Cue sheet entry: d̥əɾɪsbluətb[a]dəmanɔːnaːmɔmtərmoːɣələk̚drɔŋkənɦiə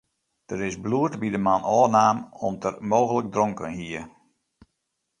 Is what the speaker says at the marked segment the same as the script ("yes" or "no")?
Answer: no